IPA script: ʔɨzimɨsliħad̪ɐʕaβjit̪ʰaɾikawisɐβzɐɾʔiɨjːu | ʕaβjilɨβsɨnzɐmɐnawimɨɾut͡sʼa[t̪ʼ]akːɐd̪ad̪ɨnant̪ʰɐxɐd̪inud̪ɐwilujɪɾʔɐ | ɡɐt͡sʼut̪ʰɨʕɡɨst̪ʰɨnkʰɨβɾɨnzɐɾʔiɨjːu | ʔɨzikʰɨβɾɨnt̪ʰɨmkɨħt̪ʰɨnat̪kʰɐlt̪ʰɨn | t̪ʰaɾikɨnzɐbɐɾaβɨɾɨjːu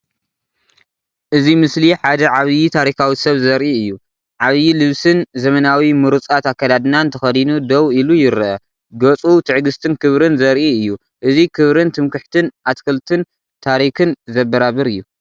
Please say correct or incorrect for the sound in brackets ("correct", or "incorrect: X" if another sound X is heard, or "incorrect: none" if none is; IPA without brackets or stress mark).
incorrect: t̪